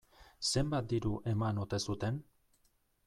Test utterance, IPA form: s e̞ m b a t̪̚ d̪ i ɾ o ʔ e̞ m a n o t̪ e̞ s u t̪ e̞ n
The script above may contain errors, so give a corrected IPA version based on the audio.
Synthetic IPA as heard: s e̞ m b a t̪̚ d̪ i ɾ u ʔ e̞ m a n o t̪ e̞ s u t̪ e̞ n